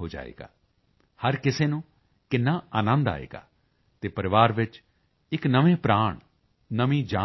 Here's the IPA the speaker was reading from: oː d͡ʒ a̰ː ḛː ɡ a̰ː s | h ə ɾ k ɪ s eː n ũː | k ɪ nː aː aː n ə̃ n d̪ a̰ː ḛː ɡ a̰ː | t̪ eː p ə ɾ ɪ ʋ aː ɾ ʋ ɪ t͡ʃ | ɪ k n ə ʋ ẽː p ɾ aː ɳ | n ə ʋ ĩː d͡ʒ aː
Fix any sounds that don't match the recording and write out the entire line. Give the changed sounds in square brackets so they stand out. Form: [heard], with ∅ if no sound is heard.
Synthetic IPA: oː d͡ʒ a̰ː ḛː ɡ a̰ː [∅] | h ə ɾ k ɪ s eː n ũː | k ɪ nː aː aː n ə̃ n d̪ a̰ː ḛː ɡ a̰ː | t̪ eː p ə ɾ ɪ ʋ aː ɾ ʋ ɪ t͡ʃ | ɪ k n ə ʋ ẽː p ɾ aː ɳ | n ə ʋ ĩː d͡ʒ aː